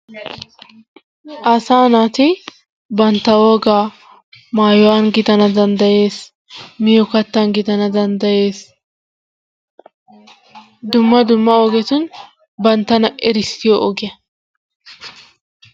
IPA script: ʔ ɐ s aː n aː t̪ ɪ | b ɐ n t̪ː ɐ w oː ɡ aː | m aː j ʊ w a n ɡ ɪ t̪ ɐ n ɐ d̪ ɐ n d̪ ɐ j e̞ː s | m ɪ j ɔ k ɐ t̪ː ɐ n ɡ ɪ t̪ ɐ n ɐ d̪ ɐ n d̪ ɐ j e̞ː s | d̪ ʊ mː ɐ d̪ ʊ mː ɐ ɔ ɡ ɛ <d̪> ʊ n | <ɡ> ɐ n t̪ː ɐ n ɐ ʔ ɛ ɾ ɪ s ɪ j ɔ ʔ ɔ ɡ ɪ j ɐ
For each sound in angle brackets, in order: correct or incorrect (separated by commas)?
incorrect, incorrect